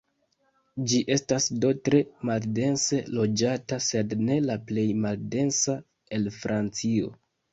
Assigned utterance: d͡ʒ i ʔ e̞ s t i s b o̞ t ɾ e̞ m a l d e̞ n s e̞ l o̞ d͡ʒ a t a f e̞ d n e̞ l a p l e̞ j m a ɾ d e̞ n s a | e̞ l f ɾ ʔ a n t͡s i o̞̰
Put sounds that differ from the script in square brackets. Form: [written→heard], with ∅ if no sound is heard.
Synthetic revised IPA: d͡ʒ i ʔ e̞ s t [i→a] s [b→d] o̞ t ɾ e̞ m a l d e̞ n s e̞ l o̞ d͡ʒ a t a [f→s] e̞ d n e̞ l a p l e̞ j m a [ɾ→l] d e̞ n s a | e̞ l f ɾ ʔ a n t͡s i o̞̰